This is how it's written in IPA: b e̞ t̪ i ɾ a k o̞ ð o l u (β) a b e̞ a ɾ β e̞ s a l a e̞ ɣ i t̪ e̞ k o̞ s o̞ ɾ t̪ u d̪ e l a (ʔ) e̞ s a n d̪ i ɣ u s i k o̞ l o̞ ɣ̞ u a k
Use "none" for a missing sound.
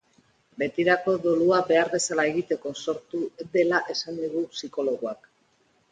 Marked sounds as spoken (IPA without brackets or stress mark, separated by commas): none, ʔ